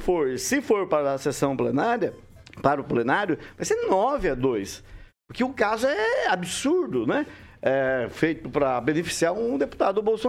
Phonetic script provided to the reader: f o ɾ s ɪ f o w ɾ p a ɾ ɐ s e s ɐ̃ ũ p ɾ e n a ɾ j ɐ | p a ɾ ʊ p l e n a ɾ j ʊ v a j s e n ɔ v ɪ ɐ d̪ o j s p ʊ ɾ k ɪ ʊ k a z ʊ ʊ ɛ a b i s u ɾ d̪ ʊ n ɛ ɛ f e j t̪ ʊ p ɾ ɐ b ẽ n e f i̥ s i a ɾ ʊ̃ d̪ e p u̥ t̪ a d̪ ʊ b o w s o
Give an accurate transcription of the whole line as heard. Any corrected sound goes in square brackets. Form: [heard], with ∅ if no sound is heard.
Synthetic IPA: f o ɾ s ɪ f o [∅] ɾ p a ɾ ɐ s e s ɐ̃ [w̃] p [l] e n a ɾ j ɐ | p a ɾ ʊ p l e n a ɾ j ʊ v a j s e n ɔ v ɪ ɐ d̪ o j s p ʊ ɾ k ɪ ʊ k a z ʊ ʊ ɛ a b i s u ɾ d̪ ʊ n ɛ ɛ f e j t̪ ʊ p ɾ ɐ b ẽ n e f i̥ s i a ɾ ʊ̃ d̪ e p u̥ t̪ a d̪ ʊ b o w s o